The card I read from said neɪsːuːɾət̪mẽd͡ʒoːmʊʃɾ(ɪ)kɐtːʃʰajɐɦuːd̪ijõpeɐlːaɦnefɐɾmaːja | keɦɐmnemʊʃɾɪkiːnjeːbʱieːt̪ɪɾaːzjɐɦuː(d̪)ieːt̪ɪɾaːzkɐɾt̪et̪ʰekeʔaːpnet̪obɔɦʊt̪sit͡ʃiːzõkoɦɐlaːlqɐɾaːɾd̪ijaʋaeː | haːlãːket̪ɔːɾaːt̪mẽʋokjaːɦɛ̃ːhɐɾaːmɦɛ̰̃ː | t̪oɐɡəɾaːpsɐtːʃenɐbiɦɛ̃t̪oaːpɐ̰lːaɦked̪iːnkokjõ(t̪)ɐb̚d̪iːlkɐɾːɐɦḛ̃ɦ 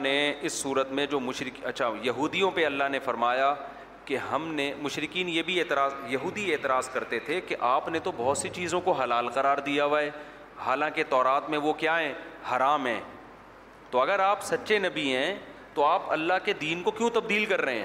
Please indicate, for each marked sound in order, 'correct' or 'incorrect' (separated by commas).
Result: correct, correct, correct